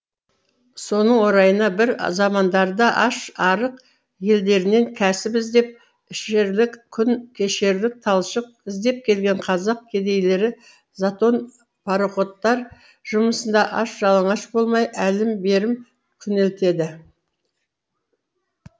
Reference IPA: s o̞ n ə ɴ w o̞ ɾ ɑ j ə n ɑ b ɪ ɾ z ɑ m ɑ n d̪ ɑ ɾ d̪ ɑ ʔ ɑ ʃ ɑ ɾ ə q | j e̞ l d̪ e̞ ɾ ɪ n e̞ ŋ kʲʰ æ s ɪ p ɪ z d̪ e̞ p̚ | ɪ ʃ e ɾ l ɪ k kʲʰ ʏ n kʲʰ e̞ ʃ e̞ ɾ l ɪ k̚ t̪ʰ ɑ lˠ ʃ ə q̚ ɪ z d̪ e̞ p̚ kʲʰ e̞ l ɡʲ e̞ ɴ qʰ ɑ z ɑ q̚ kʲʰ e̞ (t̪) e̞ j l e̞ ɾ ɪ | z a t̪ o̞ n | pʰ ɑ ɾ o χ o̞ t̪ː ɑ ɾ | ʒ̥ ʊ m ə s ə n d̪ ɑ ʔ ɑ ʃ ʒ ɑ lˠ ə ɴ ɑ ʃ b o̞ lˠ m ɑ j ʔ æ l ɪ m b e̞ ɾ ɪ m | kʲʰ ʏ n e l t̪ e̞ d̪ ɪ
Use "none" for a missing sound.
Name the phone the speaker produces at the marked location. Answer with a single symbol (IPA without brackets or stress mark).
d̪